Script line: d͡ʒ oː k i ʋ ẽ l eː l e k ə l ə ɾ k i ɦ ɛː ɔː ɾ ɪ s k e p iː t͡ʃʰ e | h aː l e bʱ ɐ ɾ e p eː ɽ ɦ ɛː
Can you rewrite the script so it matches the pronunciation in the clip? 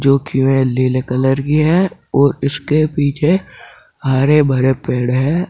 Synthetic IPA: d͡ʒ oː k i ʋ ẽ l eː l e k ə l ə ɾ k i ɦ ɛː ɔː ɾ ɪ s k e p iː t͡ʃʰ e | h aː ɾ e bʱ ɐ ɾ e p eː ɽ ɦ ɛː